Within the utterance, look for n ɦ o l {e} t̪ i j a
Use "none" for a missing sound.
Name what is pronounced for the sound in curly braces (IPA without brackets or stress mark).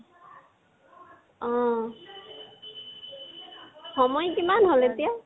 e